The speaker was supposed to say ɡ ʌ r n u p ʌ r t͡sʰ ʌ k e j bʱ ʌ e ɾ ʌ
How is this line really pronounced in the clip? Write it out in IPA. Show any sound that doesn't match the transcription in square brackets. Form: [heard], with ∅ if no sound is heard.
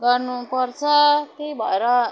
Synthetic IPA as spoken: ɡ ʌ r n u p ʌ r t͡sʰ ʌ k e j bʱ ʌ e ɾ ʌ